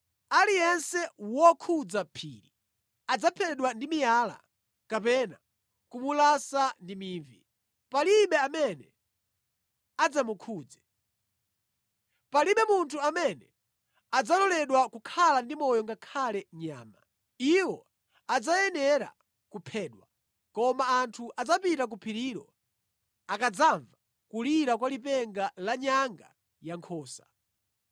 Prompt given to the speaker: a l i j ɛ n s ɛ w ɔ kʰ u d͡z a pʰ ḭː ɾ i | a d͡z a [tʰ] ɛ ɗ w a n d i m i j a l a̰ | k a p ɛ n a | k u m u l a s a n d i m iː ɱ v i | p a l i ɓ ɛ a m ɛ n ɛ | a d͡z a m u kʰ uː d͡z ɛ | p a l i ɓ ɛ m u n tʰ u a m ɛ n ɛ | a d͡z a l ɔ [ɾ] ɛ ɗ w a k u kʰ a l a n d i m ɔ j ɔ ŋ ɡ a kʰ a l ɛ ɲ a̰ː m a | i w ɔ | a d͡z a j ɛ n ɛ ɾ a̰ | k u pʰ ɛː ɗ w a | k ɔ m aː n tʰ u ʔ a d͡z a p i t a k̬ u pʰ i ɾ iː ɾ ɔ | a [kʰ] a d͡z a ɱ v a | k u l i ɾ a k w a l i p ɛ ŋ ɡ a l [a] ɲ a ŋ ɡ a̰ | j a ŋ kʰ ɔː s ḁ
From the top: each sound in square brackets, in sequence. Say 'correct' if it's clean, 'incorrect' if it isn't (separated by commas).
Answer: incorrect, incorrect, incorrect, correct